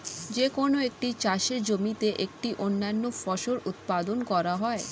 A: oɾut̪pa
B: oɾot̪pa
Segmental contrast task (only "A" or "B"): A